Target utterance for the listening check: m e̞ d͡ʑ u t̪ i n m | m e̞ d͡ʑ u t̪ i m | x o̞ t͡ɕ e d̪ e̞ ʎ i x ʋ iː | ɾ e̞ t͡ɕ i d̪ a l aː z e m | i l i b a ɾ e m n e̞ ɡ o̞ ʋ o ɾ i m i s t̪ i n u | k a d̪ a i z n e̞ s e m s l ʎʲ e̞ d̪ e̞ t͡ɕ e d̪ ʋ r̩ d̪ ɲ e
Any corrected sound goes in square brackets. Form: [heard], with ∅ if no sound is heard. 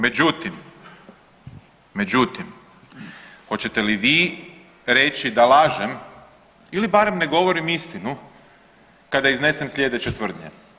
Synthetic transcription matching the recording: m e̞ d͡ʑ u t̪ i [∅] m | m e̞ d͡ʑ u t̪ i m | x o̞ t͡ɕ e [t̪] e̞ [l] i [∅] ʋ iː | ɾ e̞ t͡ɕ i d̪ a l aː [ʒ] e m | i l i b a ɾ e m n e̞ ɡ o̞ ʋ o ɾ i m i s t̪ i n u | k a d̪ a i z n e̞ s e m s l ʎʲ e̞ d̪ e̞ t͡ɕ e [t̪] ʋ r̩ d̪ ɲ e